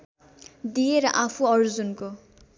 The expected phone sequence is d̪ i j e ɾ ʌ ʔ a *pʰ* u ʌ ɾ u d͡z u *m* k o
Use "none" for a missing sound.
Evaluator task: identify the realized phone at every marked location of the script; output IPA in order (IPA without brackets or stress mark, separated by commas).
pʰ, n